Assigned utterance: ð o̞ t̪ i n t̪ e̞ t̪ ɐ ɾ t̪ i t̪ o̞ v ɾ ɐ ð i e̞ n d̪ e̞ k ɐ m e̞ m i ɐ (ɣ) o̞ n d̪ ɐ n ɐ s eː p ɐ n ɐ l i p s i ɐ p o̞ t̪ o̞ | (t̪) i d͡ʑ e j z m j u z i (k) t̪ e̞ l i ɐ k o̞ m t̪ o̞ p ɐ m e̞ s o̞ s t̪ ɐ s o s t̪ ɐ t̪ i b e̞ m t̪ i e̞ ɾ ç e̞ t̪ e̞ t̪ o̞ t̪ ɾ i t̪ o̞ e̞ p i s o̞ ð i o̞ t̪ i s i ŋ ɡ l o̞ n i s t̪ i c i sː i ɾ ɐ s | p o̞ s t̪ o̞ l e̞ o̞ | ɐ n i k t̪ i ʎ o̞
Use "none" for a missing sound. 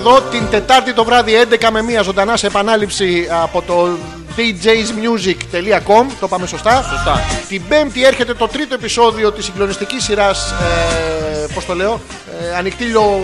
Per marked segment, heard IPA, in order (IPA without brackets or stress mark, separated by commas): z, d̪, k